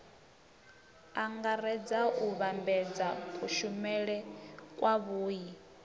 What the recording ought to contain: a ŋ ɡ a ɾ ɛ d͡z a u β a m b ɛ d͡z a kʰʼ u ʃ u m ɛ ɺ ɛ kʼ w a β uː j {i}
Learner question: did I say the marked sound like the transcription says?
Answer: yes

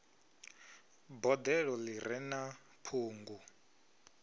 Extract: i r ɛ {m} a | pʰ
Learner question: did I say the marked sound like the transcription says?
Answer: no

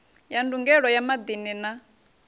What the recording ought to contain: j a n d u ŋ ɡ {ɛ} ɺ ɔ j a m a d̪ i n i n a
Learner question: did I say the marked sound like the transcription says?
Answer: yes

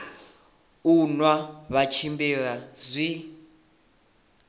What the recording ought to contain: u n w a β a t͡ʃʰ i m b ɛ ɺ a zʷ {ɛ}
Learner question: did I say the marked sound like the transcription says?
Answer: no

